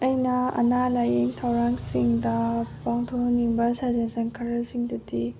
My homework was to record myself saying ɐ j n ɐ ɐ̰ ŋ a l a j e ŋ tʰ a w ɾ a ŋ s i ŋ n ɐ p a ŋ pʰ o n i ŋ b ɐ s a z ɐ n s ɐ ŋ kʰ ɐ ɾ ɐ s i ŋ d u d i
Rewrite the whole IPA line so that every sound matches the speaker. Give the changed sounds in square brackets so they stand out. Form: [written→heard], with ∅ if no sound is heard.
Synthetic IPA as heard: ɐ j n ɐ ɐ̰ [ŋ→n] a l a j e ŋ tʰ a w ɾ a ŋ s i ŋ [n→d] ɐ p a ŋ [pʰ→tʰ] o n i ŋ b ɐ s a z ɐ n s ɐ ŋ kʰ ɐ ɾ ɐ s i ŋ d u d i